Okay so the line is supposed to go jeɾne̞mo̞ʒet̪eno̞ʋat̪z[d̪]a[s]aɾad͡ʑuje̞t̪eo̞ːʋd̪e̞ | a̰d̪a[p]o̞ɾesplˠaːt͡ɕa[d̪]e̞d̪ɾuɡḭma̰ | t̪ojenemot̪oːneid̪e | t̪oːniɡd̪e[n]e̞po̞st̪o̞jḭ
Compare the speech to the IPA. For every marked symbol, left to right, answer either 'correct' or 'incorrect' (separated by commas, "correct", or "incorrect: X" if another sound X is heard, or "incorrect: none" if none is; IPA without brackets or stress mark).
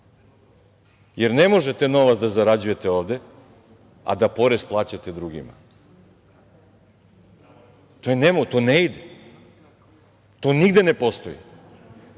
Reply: correct, incorrect: z, correct, incorrect: t̪, correct